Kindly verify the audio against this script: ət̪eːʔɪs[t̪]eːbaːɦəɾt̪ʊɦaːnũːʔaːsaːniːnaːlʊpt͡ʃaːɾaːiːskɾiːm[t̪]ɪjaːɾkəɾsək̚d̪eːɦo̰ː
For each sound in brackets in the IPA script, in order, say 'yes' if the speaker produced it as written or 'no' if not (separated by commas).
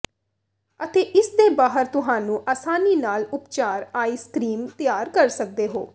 no, yes